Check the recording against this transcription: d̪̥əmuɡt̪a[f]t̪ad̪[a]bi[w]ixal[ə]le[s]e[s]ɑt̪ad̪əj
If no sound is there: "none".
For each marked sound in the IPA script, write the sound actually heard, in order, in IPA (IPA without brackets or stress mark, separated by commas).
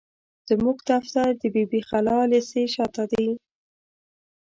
f, ə, b, ɑ, s, ʃ